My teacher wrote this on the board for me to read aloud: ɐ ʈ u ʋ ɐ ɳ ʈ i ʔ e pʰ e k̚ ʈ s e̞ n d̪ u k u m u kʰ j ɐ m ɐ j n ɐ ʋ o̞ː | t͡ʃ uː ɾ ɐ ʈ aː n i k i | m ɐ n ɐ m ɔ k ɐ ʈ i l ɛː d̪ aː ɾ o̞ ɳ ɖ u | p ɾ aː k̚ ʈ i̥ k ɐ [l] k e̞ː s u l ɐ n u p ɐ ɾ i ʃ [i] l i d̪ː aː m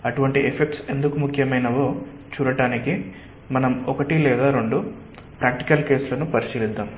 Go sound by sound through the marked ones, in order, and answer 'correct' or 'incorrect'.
correct, incorrect: iː

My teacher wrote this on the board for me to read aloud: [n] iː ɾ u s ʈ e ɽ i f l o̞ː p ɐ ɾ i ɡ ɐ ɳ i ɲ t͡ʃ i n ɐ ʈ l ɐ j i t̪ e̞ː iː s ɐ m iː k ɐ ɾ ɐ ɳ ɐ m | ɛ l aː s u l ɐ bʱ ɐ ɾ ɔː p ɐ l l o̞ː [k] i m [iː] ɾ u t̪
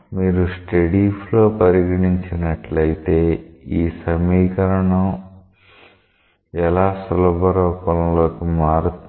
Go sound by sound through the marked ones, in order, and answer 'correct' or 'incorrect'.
incorrect: m, correct, incorrect: aː

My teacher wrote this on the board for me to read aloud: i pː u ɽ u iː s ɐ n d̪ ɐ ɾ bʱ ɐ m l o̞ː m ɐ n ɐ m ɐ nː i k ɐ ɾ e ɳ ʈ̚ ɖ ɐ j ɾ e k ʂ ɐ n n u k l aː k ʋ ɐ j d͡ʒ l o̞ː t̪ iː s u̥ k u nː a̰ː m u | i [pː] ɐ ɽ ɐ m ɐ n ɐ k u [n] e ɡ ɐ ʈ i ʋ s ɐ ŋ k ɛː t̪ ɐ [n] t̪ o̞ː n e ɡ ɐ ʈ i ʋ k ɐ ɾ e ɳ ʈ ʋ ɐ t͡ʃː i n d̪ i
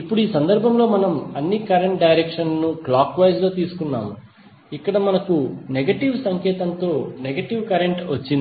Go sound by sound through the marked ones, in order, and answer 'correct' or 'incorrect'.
incorrect: kː, correct, correct

